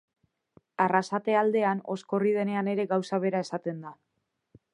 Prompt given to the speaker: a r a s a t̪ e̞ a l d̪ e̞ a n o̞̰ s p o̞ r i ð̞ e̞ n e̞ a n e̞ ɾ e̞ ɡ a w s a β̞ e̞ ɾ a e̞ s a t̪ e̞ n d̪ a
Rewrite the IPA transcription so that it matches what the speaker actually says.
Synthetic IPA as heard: a r a s a t̪ e̞ a l d̪ e̞ a n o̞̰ s k o̞ r i ð̞ e̞ n e̞ a n e̞ ɾ e̞ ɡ a w s a β̞ e̞ ɾ a e̞ s a t̪ e̞ n d̪ a